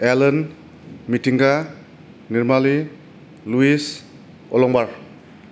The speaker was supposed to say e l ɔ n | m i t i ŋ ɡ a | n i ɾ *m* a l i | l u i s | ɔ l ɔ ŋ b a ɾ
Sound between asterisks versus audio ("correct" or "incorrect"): correct